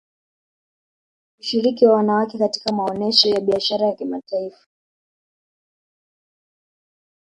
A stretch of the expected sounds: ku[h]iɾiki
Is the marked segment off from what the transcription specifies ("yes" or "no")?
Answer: yes